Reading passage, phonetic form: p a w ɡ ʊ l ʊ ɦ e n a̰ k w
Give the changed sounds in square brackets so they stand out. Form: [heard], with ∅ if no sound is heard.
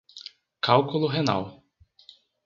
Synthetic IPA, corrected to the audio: [k] a w [k] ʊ l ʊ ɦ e n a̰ [∅] w